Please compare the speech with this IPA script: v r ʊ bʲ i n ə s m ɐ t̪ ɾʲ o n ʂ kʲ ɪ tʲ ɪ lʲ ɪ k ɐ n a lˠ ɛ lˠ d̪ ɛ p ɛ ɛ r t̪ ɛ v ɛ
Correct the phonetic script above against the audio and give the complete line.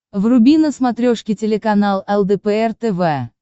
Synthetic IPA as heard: v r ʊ bʲ i n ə s m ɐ t̪ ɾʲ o ʂ kʲ ɪ tʲ ɪ lʲ ɪ k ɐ n a lˠ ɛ lˠ d̪ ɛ p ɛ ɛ r t̪ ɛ v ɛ